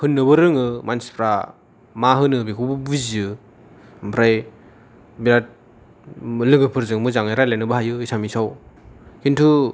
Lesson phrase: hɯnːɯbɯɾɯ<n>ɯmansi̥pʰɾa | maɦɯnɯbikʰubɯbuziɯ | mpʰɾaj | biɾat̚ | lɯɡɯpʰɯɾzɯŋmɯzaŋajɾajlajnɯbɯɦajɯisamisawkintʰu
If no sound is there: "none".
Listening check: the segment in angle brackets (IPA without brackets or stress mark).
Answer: ŋ